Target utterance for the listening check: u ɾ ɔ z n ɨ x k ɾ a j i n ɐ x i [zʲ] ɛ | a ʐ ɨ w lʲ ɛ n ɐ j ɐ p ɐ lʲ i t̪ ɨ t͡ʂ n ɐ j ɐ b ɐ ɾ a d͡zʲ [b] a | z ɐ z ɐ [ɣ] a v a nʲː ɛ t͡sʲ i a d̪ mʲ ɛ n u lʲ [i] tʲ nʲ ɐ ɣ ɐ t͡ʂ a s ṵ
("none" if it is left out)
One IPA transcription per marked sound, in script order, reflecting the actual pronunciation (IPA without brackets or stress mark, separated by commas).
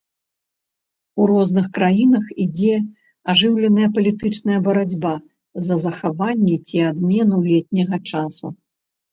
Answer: d͡zʲ, b, x, ɛ